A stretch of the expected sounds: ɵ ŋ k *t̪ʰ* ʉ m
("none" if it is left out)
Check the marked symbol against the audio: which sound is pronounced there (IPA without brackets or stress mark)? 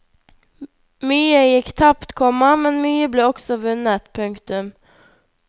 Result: t̪